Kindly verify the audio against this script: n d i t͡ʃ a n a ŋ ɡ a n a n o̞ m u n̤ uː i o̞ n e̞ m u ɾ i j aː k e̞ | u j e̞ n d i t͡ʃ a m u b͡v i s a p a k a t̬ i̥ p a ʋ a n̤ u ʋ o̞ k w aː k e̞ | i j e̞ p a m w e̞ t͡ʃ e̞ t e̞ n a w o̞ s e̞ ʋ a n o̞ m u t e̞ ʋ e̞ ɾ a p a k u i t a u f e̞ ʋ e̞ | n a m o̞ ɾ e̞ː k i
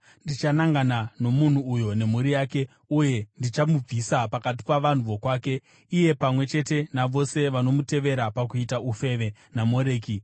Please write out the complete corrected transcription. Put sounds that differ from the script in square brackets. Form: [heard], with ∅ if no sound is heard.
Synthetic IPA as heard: n d i t͡ʃ a n a ŋ ɡ a n a n o̞ m u n̤ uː [j] o̞ n e̞ m u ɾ i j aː k e̞ | u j e̞ n d i t͡ʃ a m u b͡v i s a p a k a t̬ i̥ p a ʋ a n̤ u ʋ o̞ k w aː k e̞ | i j e̞ p a m w e̞ t͡ʃ e̞ t e̞ n a [ʋ] o̞ s e̞ ʋ a n o̞ m u t e̞ ʋ e̞ ɾ a p a k u i t a u f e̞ ʋ e̞ | n a m o̞ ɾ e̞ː k i